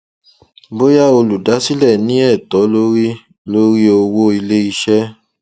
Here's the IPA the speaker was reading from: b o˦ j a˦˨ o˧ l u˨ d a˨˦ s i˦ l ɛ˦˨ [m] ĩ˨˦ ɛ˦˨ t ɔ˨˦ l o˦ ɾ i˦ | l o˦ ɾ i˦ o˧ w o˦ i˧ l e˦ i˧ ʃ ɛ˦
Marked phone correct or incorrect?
incorrect